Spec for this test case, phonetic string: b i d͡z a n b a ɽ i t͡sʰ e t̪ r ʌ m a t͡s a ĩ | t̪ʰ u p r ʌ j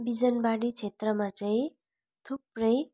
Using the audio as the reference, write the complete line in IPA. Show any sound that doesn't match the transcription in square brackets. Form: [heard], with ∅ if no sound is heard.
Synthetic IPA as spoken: b i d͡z [ʌ] n b a ɽ i t͡sʰ e t̪ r ʌ m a t͡s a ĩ | t̪ʰ u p r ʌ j

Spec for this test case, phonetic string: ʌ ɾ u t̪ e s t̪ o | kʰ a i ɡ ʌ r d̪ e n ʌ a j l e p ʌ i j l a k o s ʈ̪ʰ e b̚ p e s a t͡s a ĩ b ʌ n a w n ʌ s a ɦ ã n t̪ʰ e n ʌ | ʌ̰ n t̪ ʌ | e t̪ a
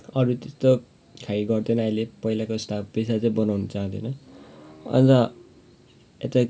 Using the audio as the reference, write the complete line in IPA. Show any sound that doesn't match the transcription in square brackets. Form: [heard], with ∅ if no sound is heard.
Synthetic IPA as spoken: ʌ ɾ u t̪ e s t̪ o | kʰ a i ɡ ʌ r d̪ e n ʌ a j l e p ʌ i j l a k o s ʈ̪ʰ [a] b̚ p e s a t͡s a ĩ b ʌ n a w n ʌ [t͡s] a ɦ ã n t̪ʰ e n ʌ | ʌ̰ n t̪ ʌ | e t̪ a

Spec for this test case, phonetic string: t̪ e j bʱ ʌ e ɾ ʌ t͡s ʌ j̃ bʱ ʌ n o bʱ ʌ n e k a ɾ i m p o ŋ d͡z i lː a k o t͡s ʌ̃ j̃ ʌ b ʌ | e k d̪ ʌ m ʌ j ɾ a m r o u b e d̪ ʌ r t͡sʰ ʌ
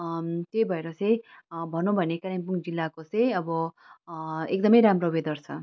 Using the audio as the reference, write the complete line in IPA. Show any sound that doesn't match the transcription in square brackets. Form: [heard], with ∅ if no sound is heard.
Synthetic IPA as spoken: t̪ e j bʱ ʌ e ɾ ʌ t͡s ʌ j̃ bʱ ʌ n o bʱ ʌ n e k a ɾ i m p [u] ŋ d͡z i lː a k o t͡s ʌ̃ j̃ ʌ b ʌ | e k d̪ ʌ m ʌ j ɾ a m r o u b e d̪ ʌ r t͡sʰ ʌ

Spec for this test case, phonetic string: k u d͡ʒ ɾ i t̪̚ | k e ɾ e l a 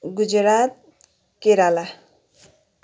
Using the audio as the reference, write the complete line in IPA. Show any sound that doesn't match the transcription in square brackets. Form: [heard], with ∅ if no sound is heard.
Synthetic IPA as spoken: [ɡ] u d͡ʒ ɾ [a] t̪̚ | k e ɾ [a] l a

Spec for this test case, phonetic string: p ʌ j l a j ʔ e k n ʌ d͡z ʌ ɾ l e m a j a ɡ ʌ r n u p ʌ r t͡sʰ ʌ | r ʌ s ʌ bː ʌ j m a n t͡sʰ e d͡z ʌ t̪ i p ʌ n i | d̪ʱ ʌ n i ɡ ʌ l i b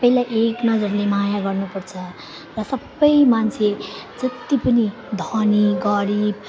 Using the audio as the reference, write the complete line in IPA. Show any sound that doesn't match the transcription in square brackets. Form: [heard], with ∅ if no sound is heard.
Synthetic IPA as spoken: p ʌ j l a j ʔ e k n ʌ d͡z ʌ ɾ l e m a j a ɡ ʌ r n u p ʌ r t͡sʰ ʌ | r ʌ s ʌ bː ʌ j m a n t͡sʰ e d͡z ʌ t̪ i p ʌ n i | d̪ʱ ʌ n i ɡ ʌ [ɾ] i b

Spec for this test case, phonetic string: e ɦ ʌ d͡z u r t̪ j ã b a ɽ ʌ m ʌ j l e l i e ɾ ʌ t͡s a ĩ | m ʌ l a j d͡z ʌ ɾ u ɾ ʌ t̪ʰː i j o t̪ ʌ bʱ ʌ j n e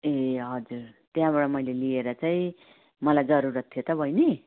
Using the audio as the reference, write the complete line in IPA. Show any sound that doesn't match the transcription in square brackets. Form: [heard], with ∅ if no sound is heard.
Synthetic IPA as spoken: e ɦ ʌ d͡z u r t̪ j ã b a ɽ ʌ m ʌ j l e l i e ɾ ʌ t͡s a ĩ | m ʌ l a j d͡z ʌ ɾ u ɾ ʌ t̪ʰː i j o t̪ ʌ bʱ ʌ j n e

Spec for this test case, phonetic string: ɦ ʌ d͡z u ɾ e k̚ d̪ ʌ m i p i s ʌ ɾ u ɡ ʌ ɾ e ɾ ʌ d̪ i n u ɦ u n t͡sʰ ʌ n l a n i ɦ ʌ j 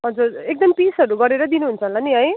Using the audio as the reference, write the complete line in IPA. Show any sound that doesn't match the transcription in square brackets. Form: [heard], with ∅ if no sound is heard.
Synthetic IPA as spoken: ɦ ʌ d͡z u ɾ e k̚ d̪ ʌ m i p i s ʌ ɾ u ɡ ʌ ɾ e ɾ ʌ d̪ i n u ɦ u n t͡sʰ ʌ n l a n i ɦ ʌ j

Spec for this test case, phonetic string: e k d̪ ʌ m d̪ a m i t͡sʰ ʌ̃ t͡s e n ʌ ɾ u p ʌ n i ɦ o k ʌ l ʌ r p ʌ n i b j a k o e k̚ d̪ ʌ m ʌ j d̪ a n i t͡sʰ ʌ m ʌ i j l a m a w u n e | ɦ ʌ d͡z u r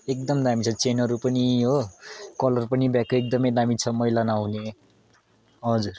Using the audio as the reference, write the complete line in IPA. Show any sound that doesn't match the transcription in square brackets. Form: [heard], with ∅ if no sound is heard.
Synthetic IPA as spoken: e k d̪ ʌ m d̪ a m i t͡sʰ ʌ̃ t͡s e n ʌ ɾ u p ʌ n i ɦ o k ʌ l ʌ r p ʌ n i b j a k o e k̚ d̪ ʌ m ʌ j d̪ a [m] i t͡sʰ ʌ m ʌ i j l a [n] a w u n e | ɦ ʌ d͡z u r

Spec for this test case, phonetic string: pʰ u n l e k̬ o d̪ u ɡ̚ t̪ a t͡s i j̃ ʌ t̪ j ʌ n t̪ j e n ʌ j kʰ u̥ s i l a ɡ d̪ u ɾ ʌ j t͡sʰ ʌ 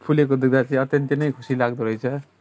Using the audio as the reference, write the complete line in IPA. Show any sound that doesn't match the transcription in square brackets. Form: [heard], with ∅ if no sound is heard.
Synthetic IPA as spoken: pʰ u [∅] l e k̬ o d̪ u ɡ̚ [d̪] a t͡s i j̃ ʌ t̪ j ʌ n t̪ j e n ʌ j kʰ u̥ s i l a ɡ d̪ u ɾ ʌ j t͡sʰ ʌ

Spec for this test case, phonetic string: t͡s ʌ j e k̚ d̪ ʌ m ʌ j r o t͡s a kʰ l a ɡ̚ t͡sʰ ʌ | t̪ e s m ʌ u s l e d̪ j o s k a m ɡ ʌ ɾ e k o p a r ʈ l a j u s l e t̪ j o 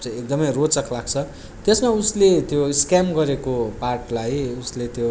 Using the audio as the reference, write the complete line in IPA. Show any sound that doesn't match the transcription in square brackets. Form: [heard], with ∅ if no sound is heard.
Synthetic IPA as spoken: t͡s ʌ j e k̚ d̪ ʌ m ʌ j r o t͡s [ʌ] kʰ l a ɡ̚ t͡sʰ ʌ | t̪ e s m [a] u s l e [t̪] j o s k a m ɡ ʌ ɾ e k o p a r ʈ l a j u s l e t̪ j o

